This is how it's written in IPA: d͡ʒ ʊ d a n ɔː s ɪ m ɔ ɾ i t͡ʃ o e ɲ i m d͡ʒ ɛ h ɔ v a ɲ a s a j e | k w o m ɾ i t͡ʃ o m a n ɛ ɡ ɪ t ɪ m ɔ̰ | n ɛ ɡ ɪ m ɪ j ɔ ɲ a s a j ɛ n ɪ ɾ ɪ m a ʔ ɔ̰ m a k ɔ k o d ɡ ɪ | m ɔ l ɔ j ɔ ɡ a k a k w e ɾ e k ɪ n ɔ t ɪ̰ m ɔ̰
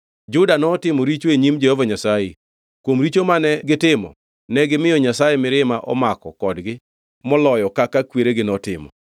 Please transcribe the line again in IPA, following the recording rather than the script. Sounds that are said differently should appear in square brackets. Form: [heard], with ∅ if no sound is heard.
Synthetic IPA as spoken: d͡ʒ ʊ d a n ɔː [t] ɪ m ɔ ɾ i t͡ʃ o e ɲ i m d͡ʒ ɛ h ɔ v a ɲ a s a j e | k w o m ɾ i t͡ʃ o m a n ɛ ɡ ɪ t ɪ m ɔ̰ | n ɛ ɡ ɪ m ɪ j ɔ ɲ a s a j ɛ [m] ɪ ɾ ɪ m a ʔ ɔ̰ m a k ɔ k [ɔ] d ɡ ɪ | m ɔ l ɔ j ɔ [k] a k a k w e ɾ e [ɡ] ɪ n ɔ t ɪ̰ m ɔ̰